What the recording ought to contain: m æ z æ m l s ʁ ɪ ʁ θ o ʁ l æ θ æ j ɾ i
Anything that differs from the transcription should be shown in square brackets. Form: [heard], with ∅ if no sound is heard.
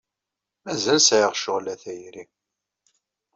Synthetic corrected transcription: m æ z æ [∅] l s [ʕ] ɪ ʁ [ʃ] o ʁ l æ θ æ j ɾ i